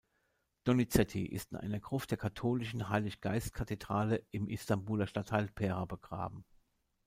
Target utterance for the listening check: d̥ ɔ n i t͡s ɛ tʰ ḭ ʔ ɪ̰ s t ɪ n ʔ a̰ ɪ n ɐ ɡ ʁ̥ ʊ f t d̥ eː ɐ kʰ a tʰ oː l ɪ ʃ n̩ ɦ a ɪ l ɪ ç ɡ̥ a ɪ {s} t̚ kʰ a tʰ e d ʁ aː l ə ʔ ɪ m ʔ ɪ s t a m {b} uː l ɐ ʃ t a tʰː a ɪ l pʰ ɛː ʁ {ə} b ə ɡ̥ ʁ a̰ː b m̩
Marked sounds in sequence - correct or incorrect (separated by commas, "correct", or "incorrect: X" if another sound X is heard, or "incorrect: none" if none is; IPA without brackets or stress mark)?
correct, correct, incorrect: a